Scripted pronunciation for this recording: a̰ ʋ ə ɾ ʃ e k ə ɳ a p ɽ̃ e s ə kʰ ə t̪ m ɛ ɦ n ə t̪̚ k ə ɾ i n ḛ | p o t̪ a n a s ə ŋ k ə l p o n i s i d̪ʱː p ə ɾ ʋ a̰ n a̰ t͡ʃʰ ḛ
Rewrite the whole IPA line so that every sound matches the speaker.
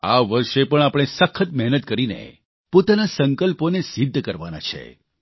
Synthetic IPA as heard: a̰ ʋ ə ɾ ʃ e p ə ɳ a p ɽ̃ e s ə kʰ ə t̪ m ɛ ɦ n ə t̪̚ k ə ɾ i n ḛ | p o t̪ a n a s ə ŋ k ə l p o n e s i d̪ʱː k ə ɾ ʋ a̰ n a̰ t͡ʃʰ ḛ

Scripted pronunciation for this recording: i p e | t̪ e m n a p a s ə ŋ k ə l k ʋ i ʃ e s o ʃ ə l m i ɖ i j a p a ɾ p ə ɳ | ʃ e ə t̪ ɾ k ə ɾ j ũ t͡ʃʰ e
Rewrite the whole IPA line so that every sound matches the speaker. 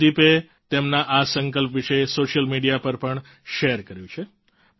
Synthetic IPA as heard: i p e | t̪ e m n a ʔ a s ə ŋ k ə l p ʋ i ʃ e s o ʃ ə l m i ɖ i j a p ə ɾ p ə ɳ | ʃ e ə ɾ k ə ɾ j ũ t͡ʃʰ e

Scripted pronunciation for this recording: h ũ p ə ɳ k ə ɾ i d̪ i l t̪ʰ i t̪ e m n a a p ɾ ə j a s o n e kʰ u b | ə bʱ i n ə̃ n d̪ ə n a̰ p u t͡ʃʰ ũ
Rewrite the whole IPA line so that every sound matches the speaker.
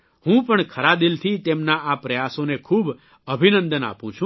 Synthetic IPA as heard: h ũ p ə ɳ kʰ ə ɾ a d̪ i l t̪ʰ i t̪ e m n a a p ɾ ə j a s o n e kʰ u b | ə bʱ i n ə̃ n d̪ ə n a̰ p ũ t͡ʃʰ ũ

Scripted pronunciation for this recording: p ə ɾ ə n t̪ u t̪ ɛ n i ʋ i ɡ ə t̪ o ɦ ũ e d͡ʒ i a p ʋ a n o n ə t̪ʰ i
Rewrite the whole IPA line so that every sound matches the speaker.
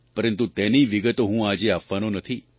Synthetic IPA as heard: p ə ɾ ə n t̪ u t̪ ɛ n i ʋ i ɡ ə t̪ o ɦ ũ a d͡ʒ e a p ʋ a n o n ə t̪ʰ i

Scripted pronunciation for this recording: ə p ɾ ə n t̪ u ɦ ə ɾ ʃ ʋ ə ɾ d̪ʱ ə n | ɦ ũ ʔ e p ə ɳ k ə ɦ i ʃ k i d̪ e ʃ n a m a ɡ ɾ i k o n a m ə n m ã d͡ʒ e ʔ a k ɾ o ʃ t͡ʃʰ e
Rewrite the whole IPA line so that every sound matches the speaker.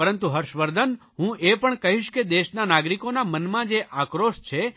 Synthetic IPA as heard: ə ɾ ə n t̪ u ɦ ə ɾ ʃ ʋ ə ɾ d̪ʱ ə n | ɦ ũ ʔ e p ə ɳ k ə ɦ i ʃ k e d̪ e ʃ n a n a ɡ ɾ i k o n a m ə n m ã d͡ʒ e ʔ a k ɾ o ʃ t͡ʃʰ e

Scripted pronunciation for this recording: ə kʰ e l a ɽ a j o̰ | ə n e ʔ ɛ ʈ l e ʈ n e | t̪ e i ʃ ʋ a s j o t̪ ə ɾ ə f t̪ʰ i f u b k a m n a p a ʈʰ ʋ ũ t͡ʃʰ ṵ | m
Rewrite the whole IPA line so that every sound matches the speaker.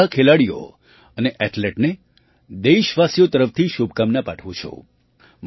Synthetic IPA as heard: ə kʰ e l a ɽ i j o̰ | ə n e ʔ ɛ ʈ l e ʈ n e | d̪ e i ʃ ʋ a s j o t̪ ə ɾ ə f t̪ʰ i ʃ u b k a m n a p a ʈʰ ʋ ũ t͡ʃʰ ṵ | m

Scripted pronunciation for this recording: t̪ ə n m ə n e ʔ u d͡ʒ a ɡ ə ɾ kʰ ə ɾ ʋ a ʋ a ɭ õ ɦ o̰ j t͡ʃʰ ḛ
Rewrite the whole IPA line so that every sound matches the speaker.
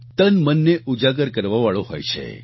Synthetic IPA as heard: t̪ ə n m ə nː e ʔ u d͡ʒ a ɡ ə ɾ k ə ɾ ʋ a ʋ a ɭ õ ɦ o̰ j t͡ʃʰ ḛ

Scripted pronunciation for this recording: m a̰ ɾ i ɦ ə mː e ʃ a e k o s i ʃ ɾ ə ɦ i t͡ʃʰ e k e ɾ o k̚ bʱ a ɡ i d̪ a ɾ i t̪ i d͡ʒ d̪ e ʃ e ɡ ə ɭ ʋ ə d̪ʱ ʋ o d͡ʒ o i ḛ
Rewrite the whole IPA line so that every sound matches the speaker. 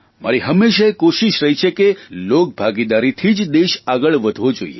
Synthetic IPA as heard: m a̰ ɾ i ɦ ə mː e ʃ a e k o ʃ i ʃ ɾ ə ɦ i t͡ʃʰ e k e l o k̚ bʱ a ɡ i d̪ a ɾ i t̪ʰ i d͡ʒ d̪ e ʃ a ɡ ə ɭ ʋ ə d̪ʱ ʋ o d͡ʒ o i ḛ

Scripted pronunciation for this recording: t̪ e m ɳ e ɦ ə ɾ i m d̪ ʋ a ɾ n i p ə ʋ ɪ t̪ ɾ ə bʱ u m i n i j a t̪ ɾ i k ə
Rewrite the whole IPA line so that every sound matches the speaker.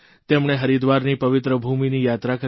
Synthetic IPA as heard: t̪ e m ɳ e ɦ ə ɾ i d̪ ʋ a ɾ n i p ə ʋ ɪ t̪ ɾ ə bʱ u m i n i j a t̪ ɾ a k ə

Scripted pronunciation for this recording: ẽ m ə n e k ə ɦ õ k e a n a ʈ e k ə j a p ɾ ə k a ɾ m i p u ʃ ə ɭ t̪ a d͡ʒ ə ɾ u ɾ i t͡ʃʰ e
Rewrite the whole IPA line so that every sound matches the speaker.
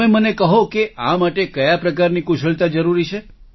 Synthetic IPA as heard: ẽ m ə n e k ə ɦ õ k e a m a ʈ e k ə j a p ɾ ə k a ɾ n i k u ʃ ə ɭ t̪ a d͡ʒ ə ɾ u ɾ i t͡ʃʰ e

